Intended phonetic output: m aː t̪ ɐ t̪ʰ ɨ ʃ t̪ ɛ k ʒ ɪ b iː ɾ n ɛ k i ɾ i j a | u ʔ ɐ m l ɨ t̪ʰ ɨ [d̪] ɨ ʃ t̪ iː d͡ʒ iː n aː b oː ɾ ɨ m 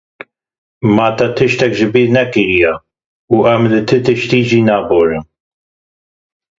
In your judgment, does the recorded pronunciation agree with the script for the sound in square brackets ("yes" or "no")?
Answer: no